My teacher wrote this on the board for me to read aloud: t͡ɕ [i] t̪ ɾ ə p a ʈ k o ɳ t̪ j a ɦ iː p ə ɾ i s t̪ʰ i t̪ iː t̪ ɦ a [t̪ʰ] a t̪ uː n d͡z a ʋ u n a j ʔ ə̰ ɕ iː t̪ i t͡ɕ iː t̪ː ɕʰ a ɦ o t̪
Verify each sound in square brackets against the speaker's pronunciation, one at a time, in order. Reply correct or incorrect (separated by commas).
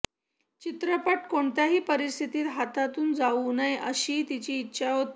correct, incorrect